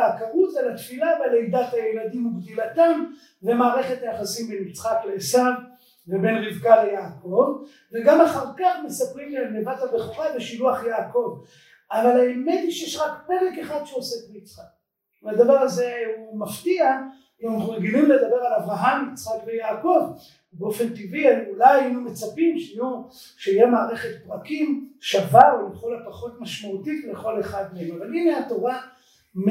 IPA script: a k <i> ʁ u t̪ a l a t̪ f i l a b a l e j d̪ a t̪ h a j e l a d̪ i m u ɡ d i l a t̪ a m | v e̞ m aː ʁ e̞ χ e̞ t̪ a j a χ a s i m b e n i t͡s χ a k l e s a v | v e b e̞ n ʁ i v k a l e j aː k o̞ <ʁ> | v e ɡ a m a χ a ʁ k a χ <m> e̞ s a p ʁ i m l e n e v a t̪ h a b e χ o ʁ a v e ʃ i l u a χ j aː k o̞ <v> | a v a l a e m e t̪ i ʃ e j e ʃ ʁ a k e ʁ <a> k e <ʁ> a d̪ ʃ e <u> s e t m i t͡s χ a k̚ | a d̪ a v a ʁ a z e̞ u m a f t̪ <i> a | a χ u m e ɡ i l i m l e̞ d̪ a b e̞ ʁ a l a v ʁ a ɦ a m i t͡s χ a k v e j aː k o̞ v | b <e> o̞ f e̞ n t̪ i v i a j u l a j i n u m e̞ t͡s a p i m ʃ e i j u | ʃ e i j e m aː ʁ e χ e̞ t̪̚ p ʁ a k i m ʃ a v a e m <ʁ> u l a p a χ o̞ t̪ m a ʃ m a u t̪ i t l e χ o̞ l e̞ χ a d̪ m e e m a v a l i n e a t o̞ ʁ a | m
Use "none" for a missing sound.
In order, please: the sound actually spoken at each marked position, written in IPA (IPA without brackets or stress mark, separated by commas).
a, v, m, v, e, χ, o, i, e, χ